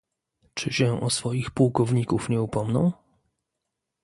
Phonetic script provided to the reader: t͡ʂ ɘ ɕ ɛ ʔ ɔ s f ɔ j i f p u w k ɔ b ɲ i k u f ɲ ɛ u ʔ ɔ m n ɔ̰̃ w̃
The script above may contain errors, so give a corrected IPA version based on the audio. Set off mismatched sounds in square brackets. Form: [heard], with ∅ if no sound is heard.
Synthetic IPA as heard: t͡ʂ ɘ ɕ ɛ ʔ ɔ s f ɔ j i [x] p u w k ɔ [v] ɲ i k u f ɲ ɛ u [p] ɔ m n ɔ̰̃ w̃